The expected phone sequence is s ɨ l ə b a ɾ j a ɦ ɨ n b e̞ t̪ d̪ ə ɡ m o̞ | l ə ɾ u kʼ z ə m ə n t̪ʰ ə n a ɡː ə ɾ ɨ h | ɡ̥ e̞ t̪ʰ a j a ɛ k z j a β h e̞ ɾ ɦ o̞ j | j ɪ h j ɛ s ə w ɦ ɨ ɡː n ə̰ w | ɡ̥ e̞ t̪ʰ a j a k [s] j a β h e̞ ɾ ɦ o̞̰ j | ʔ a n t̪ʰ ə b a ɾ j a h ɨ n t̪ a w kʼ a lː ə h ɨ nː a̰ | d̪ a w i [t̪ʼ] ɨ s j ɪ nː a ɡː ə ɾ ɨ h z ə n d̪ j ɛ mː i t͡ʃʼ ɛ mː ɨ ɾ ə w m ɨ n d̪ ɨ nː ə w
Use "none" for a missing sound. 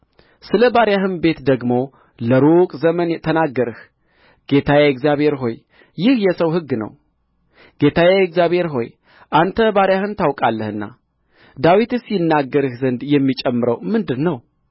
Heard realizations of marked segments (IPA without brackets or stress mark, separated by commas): z, t̪